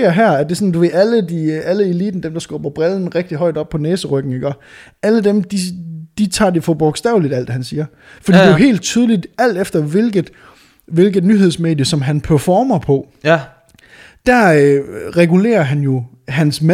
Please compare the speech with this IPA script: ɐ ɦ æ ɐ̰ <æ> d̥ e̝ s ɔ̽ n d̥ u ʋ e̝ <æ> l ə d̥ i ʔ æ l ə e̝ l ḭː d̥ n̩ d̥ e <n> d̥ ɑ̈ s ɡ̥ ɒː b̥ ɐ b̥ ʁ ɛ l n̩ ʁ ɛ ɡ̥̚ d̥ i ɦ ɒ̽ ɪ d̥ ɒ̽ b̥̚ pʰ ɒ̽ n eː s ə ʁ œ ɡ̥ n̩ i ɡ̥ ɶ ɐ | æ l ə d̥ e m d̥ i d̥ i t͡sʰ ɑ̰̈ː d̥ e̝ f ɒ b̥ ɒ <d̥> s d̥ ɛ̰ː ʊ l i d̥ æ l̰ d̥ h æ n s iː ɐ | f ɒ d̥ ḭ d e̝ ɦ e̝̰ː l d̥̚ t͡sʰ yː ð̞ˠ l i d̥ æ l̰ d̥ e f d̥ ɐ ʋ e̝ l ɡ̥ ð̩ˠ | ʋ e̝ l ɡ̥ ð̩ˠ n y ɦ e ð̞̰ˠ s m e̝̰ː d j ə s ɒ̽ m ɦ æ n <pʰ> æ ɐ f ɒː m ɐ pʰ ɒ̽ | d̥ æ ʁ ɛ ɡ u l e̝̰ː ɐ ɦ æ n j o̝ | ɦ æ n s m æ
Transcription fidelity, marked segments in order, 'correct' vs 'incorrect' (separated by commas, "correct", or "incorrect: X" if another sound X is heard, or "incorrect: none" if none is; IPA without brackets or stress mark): correct, correct, incorrect: m, incorrect: ɡ̥, correct